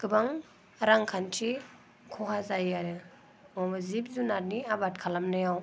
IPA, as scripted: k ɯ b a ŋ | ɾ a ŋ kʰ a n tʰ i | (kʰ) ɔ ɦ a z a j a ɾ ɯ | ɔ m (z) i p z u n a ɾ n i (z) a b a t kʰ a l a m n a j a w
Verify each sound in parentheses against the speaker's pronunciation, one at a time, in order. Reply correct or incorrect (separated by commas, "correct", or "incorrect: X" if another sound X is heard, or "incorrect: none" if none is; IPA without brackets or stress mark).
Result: correct, correct, incorrect: none